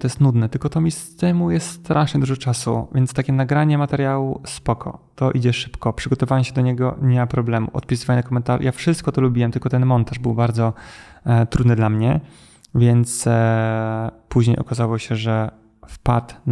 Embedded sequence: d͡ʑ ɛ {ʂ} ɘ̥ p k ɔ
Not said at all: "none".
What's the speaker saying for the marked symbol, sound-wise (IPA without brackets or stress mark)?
ʂ